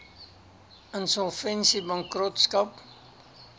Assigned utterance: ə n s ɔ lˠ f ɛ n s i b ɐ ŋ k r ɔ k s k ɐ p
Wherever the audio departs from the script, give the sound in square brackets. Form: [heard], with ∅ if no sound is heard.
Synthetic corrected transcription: ə n s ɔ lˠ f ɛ n s i b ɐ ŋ k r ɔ [t] s k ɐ p